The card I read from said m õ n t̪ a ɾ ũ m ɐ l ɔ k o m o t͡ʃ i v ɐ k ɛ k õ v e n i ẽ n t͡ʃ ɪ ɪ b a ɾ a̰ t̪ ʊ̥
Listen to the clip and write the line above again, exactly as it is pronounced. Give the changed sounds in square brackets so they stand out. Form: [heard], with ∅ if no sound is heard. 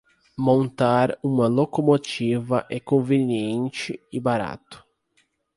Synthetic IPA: m õ n t̪ a ɾ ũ m ɐ l [o] k o m o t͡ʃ i v ɐ [ʔ] ɛ k õ v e n i ẽ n t͡ʃ ɪ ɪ b a ɾ a̰ t̪ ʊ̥